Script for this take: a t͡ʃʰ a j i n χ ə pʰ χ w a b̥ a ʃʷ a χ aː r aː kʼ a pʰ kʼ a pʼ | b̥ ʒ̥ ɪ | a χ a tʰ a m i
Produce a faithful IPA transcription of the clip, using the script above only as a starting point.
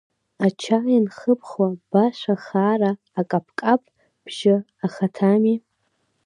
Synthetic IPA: a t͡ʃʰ a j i n χ ə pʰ χ w a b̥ a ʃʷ a χ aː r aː kʼ a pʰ kʼ a pʼ | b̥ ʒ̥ ɪ | a χ a tʰ a m i